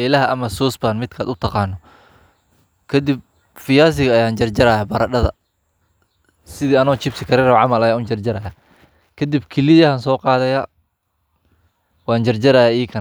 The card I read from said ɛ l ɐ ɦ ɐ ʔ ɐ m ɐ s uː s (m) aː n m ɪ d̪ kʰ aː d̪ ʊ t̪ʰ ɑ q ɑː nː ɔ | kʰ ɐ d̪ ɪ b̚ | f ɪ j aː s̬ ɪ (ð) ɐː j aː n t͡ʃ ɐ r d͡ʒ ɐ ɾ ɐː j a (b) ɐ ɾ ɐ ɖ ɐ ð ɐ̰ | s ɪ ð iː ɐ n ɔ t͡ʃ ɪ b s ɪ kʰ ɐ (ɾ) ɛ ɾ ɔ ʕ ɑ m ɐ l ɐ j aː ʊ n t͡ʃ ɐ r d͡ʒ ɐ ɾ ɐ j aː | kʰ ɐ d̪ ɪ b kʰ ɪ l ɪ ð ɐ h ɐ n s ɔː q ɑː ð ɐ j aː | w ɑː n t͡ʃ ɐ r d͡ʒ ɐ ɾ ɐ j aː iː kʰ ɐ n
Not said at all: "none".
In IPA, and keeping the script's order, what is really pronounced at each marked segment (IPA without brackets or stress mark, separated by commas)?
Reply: b, ɣ, b, ɾ